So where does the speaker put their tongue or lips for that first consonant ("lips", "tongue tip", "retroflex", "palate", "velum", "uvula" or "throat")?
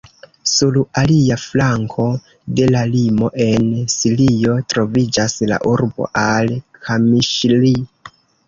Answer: tongue tip